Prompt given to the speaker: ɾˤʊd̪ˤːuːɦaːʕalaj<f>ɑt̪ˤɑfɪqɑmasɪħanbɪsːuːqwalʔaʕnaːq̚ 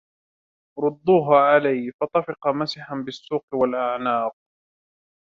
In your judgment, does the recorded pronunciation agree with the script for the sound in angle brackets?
yes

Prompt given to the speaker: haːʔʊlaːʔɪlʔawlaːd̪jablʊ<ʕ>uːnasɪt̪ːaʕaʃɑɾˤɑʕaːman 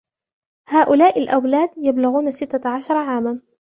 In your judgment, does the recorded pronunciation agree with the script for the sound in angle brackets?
no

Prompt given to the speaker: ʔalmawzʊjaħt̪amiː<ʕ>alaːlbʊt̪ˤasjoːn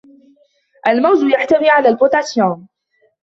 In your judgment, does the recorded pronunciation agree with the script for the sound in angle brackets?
yes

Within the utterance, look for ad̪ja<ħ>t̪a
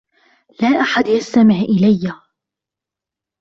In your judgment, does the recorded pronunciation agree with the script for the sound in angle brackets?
no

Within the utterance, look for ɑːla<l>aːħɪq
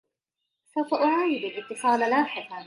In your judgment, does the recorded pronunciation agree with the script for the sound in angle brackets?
yes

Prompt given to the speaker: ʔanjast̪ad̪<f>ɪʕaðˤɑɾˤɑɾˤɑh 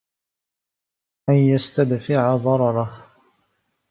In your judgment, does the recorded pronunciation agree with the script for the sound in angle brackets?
yes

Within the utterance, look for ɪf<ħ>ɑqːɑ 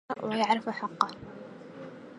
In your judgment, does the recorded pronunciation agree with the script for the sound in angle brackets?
yes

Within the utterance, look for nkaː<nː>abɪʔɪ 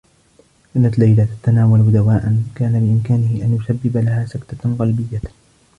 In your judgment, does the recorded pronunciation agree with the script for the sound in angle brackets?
no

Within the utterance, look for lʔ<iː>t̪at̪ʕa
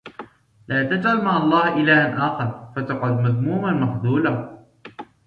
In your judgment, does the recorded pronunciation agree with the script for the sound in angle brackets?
no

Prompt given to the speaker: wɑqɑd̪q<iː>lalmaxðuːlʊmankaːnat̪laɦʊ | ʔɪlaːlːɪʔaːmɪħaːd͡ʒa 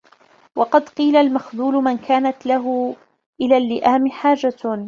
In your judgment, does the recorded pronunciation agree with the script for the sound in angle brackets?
yes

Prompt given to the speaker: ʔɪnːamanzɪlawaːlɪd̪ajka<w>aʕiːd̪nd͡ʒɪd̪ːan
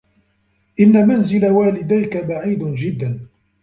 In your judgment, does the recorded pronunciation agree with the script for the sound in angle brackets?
no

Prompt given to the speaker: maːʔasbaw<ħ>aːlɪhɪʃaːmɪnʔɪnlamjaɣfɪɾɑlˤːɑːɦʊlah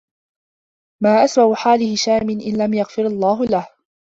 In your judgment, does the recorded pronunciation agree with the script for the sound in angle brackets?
yes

